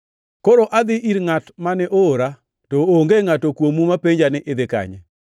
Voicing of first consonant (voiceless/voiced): voiceless